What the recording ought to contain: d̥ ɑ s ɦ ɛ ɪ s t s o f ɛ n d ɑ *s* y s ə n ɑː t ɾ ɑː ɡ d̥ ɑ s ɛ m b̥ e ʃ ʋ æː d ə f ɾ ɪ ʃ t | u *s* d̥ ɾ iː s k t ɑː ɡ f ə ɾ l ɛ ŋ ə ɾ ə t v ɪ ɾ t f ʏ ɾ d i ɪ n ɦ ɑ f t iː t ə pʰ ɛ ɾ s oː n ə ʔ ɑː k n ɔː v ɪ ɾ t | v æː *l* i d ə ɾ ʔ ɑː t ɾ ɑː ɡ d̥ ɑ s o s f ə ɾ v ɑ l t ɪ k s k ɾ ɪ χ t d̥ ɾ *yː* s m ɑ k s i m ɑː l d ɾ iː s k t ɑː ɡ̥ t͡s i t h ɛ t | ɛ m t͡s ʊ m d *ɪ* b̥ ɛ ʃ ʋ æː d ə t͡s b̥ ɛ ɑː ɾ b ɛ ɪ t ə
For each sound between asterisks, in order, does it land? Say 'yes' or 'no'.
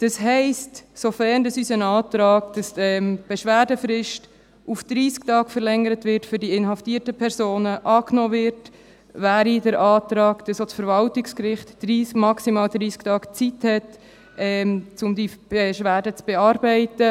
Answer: yes, no, no, no, no

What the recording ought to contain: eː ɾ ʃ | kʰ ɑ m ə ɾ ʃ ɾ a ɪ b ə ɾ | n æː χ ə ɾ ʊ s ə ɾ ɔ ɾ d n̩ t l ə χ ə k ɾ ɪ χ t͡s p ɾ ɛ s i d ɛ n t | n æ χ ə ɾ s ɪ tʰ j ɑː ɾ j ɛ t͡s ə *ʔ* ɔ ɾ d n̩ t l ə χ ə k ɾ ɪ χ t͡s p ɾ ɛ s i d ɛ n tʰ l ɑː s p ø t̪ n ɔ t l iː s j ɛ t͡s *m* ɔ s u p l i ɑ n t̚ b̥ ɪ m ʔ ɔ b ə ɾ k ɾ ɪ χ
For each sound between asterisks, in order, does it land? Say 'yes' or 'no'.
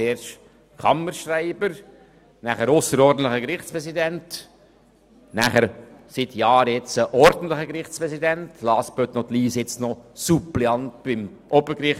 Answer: yes, no

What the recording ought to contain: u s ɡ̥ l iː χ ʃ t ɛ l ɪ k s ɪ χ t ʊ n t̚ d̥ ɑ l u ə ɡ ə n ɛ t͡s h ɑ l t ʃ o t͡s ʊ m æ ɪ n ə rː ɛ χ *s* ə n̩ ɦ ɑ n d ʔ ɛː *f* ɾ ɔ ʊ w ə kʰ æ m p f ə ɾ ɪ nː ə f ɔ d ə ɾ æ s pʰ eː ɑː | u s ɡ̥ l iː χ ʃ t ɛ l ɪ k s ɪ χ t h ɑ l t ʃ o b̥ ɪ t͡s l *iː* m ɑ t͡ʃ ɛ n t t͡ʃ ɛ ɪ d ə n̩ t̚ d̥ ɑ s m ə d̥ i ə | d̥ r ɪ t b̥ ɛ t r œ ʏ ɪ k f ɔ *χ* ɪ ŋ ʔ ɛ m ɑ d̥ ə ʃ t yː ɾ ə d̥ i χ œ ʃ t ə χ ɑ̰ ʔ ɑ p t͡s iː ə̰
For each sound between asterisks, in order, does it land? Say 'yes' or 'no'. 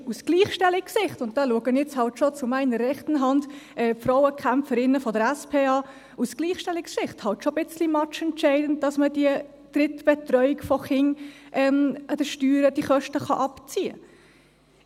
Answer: no, yes, no, yes

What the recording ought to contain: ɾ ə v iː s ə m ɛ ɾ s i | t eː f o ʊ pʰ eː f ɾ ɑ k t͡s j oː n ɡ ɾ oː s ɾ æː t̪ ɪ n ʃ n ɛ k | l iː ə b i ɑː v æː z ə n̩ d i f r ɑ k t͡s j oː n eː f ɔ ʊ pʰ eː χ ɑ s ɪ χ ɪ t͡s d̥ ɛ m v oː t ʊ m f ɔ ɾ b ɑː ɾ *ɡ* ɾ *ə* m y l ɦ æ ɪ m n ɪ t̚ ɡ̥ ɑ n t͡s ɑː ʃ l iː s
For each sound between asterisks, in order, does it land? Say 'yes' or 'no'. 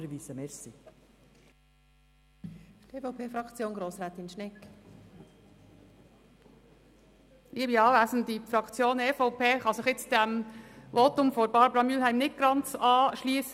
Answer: no, no

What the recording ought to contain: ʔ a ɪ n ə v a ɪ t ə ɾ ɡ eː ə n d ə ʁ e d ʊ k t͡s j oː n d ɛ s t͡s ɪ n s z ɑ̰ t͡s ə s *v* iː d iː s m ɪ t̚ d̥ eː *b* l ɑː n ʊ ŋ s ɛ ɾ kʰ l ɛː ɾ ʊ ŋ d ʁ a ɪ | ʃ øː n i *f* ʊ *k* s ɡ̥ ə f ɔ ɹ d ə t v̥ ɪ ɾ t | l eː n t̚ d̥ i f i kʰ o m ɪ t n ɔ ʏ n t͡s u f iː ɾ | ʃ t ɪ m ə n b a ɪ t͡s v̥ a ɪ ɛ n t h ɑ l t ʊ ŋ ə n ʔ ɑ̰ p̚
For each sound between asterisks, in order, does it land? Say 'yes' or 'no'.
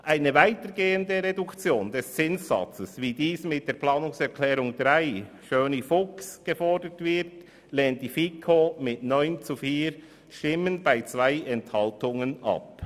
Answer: yes, no, yes, yes

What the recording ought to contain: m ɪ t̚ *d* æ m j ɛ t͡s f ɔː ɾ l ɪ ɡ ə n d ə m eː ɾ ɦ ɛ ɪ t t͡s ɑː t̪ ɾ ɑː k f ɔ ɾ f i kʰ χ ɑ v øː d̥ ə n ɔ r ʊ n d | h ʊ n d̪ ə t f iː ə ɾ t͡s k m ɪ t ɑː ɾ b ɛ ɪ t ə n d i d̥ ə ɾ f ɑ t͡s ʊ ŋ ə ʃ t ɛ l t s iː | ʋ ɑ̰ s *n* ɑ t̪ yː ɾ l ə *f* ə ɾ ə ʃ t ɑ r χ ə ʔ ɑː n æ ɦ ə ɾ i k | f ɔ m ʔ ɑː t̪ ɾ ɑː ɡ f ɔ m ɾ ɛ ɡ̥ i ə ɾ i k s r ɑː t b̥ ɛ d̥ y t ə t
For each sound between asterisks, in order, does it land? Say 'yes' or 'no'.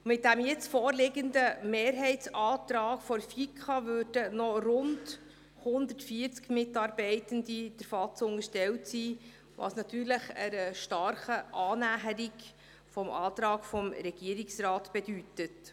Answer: yes, yes, no

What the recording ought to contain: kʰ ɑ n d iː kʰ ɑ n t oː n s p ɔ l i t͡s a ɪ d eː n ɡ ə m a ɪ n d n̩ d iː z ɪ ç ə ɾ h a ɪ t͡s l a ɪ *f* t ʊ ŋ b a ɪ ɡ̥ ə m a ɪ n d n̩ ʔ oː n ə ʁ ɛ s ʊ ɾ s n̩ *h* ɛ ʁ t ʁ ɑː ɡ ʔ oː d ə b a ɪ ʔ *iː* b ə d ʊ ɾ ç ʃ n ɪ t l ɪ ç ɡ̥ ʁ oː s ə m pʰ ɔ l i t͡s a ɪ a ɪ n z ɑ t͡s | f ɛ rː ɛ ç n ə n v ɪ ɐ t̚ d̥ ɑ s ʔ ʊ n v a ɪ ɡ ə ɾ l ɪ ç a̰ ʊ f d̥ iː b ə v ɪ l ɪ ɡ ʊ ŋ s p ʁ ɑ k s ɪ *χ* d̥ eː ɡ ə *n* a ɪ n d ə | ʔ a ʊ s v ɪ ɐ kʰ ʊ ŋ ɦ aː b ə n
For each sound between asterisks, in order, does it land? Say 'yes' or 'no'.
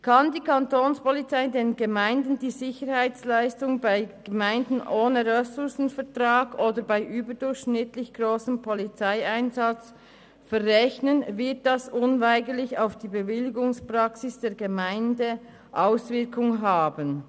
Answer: no, no, no, no, no

